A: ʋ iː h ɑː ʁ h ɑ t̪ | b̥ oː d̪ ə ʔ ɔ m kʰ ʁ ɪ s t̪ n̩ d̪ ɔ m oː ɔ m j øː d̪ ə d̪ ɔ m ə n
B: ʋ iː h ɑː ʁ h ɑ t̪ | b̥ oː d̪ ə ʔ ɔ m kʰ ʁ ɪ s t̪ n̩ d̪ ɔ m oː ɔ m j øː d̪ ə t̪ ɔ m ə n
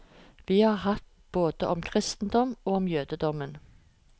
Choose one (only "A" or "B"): A